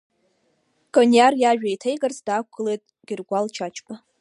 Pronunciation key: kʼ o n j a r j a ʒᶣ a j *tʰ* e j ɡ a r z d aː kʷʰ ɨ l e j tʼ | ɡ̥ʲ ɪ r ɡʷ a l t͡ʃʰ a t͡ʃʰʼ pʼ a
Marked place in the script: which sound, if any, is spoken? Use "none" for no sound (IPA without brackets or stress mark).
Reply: tʰ